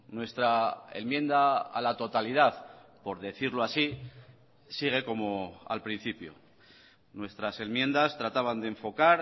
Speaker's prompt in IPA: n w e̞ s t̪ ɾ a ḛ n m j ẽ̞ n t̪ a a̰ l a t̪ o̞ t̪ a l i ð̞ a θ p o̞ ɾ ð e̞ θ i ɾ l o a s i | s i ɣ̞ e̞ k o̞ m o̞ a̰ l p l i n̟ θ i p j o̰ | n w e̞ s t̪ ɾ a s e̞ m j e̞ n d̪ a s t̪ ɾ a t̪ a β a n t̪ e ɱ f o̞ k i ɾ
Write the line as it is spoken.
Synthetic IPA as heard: n w e̞ s t̪ ɾ a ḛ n m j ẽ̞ n d̪ a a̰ l a t̪ o̞ t̪ a l i ð̞ a θ p o̞ ɾ ð e̞ θ i ɾ l o a s i | s i ɣ̞ e̞ k o̞ m o̞ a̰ l p ɾ i n̟ θ i p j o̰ | n w e̞ s t̪ ɾ a s e̞ m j e̞ n d̪ a s t̪ ɾ a t̪ a β a n d̪ e ɱ f o̞ k a ɾ